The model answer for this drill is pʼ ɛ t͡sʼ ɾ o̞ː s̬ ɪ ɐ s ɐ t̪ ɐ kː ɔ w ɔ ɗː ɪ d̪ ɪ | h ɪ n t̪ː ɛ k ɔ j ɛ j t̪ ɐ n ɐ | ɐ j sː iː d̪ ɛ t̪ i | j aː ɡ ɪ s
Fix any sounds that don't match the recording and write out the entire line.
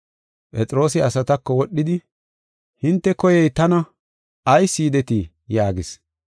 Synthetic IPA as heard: pʼ ɛ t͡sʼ ɾ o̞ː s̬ ɪ ɐ s ɐ t̪ ɐ kː ɔ w ɔ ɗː ɪ d̪ ɪ | h ɪ n t̪ː ɛ k ɔ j ɛ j t̪ ɐ n ɐ | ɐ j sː iː d̪ ɛ t̪ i | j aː ɡ ɪ s